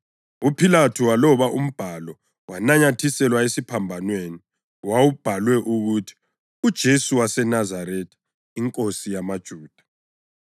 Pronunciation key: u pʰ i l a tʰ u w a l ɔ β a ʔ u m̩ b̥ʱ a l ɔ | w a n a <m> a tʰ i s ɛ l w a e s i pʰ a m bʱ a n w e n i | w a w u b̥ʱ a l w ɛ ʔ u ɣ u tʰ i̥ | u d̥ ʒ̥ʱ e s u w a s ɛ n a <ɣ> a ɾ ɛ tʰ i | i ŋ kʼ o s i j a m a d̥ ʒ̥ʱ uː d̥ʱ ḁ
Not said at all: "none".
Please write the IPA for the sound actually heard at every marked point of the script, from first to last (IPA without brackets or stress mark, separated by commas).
ɲ, z